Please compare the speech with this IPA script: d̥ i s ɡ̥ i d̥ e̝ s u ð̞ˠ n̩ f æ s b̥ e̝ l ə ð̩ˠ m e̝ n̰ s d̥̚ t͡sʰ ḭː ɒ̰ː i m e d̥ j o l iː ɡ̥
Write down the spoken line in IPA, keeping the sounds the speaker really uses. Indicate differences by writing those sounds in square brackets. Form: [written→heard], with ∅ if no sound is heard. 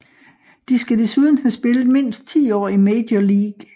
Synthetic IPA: d̥ i s ɡ̥ [i→æ] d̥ e̝ s u ð̞ˠ n̩ [f→h] æ s b̥ e̝ l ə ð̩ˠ m e̝ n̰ s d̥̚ t͡sʰ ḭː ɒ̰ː i m e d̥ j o l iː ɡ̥